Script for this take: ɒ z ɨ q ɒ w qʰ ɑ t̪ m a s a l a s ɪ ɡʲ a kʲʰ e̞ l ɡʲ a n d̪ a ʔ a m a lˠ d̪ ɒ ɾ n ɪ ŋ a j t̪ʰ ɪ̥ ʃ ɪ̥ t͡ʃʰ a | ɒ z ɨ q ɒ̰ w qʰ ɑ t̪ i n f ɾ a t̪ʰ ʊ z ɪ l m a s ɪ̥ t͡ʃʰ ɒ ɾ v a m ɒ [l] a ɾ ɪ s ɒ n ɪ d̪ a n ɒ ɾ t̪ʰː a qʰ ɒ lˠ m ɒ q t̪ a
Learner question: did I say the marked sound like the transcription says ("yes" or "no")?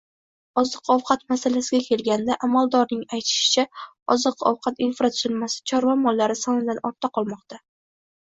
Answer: no